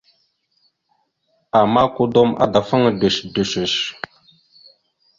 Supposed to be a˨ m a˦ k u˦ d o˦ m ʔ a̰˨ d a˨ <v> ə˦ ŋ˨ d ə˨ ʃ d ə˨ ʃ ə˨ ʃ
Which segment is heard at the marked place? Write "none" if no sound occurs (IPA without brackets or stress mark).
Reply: f